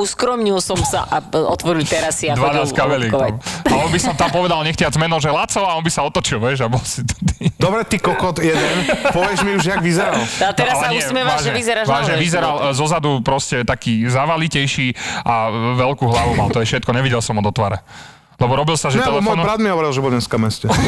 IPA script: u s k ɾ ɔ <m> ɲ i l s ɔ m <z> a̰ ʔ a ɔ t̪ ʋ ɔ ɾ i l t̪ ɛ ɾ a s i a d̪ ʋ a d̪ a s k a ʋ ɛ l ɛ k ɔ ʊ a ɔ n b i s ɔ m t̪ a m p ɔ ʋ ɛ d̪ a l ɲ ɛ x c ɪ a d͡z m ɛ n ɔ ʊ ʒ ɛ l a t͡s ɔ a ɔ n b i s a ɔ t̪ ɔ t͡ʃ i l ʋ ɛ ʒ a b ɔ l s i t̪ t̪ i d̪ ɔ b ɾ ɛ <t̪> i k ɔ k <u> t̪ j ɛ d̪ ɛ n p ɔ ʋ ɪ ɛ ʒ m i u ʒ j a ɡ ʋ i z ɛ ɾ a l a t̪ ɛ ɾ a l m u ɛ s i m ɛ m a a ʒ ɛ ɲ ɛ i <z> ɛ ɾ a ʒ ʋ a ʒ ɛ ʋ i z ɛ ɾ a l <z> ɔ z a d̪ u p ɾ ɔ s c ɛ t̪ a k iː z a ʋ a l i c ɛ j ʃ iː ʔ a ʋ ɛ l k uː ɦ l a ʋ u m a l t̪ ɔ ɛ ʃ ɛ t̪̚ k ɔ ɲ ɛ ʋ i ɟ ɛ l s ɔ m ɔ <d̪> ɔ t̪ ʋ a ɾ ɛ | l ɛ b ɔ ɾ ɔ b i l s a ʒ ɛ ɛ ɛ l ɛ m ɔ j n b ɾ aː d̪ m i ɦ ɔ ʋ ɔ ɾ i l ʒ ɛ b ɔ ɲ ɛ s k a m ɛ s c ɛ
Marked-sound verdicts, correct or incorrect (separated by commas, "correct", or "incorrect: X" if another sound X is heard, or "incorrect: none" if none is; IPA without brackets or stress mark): correct, incorrect: s, correct, incorrect: ɔ, correct, correct, correct